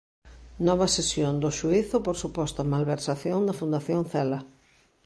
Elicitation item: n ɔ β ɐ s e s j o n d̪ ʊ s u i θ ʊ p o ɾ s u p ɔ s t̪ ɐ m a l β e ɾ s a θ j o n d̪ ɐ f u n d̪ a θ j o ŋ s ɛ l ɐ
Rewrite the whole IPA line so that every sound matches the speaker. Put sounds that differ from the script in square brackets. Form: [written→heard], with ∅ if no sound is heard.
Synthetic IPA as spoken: n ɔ β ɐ s e s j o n d̪ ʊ [s→ʃ] u i θ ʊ p o ɾ s u p ɔ s t̪ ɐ m a l β e ɾ s a θ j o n d̪ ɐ f u n d̪ a θ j o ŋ [s→θ] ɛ l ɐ